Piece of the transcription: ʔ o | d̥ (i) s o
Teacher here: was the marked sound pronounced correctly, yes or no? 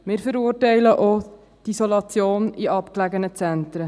yes